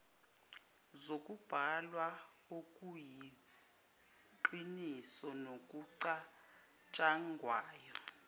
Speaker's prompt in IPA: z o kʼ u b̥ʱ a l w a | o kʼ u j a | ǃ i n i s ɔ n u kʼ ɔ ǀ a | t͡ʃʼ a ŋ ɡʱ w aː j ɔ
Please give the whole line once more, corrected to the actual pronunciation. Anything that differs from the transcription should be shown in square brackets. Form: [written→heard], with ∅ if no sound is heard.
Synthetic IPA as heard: z o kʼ u b̥ʱ a l w a | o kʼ u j [a→i] | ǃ i n i s ɔ n [u→o] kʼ [ɔ→u] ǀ a | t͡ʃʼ a ŋ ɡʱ w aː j ɔ